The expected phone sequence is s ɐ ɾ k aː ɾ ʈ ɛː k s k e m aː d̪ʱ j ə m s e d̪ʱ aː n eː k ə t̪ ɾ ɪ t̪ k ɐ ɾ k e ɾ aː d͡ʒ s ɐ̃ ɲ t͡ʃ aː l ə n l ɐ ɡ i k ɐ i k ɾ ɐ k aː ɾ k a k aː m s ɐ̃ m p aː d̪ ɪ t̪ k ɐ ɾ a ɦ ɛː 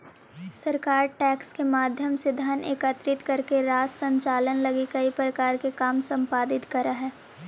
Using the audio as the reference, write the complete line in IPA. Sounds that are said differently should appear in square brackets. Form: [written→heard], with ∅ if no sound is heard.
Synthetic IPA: s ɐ ɾ k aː ɾ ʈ ɛː k s k e m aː d̪ʱ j ə m s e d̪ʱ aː n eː k ə t̪ ɾ ɪ t̪ k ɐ ɾ k e ɾ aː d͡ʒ s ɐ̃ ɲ t͡ʃ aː l ə n l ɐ ɡ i k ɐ i [k→p] ɾ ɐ k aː ɾ k [a→e] k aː m s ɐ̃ m p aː d̪ ɪ t̪ k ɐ ɾ a ɦ ɛː